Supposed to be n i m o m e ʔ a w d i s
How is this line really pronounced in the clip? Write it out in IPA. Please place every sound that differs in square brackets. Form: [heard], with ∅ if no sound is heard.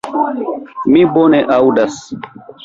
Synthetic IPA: [m] i [b] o [n] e ʔ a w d [a] s